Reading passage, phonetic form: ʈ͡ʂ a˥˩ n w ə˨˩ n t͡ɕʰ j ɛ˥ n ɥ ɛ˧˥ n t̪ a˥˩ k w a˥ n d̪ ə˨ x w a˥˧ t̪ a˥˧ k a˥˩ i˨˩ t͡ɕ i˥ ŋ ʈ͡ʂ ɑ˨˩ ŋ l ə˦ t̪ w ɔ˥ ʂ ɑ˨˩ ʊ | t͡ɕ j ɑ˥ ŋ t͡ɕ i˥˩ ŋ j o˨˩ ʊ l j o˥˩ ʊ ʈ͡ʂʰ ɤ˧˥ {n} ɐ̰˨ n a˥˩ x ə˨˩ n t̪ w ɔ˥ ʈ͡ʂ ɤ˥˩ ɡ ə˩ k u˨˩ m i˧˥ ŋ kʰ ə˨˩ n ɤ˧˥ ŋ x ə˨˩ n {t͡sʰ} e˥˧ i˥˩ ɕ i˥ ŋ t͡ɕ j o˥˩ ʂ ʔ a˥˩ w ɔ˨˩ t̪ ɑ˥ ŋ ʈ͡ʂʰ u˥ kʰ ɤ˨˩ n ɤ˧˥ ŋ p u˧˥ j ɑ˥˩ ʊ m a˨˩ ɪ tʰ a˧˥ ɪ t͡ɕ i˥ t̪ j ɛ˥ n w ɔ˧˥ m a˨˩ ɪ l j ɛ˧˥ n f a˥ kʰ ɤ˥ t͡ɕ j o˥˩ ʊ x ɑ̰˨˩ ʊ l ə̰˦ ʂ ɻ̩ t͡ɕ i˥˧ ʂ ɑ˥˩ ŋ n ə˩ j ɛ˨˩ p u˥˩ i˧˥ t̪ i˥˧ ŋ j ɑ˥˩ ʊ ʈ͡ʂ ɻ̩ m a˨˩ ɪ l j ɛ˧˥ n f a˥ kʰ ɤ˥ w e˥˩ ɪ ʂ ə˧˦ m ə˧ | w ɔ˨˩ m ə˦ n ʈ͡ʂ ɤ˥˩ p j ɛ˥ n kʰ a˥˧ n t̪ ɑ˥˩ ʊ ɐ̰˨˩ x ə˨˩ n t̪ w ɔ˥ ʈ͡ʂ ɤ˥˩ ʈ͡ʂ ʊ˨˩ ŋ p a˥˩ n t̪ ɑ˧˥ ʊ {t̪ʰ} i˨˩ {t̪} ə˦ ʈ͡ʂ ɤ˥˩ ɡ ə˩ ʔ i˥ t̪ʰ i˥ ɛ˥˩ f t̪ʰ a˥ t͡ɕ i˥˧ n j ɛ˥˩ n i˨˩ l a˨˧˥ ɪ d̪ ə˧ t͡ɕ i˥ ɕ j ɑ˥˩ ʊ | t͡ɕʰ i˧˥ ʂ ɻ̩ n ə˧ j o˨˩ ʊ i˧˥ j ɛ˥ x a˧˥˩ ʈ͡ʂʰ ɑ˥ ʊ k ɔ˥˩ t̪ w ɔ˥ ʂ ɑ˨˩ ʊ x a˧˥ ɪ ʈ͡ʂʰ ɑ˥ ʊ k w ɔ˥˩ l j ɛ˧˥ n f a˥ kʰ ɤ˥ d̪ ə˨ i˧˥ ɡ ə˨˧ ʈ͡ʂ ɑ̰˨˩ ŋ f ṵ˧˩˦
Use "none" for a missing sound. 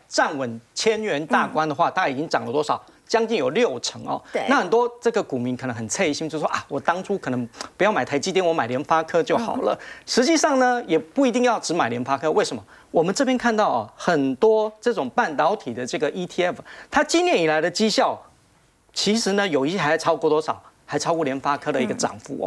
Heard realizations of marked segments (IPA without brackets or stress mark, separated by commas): ŋ, t͡sʰ, t̪ʰ, d̪